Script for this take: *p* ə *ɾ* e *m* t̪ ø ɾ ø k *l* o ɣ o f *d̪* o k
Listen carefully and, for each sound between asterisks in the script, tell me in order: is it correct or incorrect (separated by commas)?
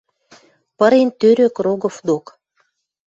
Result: correct, correct, incorrect, incorrect, correct